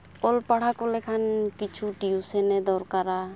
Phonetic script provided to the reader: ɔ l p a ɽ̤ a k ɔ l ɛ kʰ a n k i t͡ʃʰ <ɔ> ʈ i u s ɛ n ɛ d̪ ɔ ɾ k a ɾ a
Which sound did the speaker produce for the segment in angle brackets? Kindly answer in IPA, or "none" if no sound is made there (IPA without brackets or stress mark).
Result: u